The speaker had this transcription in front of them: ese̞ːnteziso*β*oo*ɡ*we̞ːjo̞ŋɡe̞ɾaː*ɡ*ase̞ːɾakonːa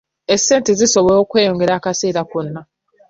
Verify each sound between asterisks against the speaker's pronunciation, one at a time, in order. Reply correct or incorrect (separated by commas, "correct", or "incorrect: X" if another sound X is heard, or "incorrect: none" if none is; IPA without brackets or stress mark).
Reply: correct, incorrect: k, incorrect: k